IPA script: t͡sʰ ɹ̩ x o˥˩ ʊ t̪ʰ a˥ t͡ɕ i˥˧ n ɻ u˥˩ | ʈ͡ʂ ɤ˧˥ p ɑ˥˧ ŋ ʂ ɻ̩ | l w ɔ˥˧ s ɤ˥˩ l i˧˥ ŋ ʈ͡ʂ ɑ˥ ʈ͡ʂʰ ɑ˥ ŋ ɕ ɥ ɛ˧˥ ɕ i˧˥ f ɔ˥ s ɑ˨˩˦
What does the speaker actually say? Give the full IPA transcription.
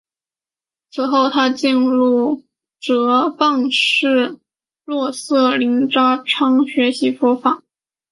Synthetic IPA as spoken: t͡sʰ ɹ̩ x o˥˩ ʊ t̪ʰ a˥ t͡ɕ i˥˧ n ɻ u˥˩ | ʈ͡ʂ ɤ˧˥ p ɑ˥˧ ŋ ʂ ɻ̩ | l w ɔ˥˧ s ɤ˥˩ l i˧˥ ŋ ʈ͡ʂ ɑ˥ ʈ͡ʂʰ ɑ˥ ŋ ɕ ɥ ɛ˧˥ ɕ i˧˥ f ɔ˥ f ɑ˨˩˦

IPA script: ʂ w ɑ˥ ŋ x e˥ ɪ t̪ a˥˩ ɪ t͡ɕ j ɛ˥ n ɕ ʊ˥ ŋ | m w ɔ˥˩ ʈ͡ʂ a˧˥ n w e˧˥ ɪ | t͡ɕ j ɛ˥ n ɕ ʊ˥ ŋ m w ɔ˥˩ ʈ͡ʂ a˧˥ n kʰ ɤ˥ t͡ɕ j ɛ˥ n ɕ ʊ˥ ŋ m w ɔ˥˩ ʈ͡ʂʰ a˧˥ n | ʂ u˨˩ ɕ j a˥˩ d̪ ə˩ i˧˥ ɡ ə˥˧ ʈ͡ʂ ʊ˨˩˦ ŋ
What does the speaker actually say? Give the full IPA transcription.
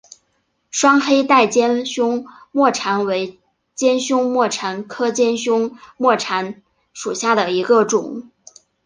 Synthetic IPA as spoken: ʂ w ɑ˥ ŋ x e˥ ɪ t̪ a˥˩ ɪ t͡ɕ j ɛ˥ n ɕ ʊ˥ ŋ | m w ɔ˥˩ ʈ͡ʂʰ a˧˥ n w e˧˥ ɪ | t͡ɕ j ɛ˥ n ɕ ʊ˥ ŋ m w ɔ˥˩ ʈ͡ʂʰ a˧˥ n kʰ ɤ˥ t͡ɕ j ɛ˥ n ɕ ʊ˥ ŋ m w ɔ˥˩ ʈ͡ʂʰ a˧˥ n | ʂ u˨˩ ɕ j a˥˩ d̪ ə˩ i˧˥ ɡ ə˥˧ ʈ͡ʂ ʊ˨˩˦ ŋ

